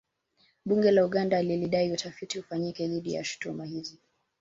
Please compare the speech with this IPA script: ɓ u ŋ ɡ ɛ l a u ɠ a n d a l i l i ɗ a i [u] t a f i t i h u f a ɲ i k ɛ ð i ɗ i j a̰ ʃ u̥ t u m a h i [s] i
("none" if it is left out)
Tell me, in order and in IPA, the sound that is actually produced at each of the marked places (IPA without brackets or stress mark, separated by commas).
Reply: u, z